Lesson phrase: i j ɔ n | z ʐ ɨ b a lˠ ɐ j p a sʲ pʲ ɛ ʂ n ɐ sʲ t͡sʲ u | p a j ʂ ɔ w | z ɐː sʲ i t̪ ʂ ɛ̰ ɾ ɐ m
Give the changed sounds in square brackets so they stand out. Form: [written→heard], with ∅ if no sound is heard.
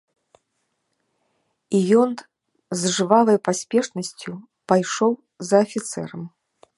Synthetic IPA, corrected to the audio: i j ɔ n | z ʐ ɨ [b→v] a lˠ ɐ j p a sʲ pʲ ɛ ʂ n ɐ sʲ t͡sʲ u | p a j ʂ ɔ w | z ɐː [sʲ→fʲ] i t̪ [ʂ→s] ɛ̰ ɾ ɐ m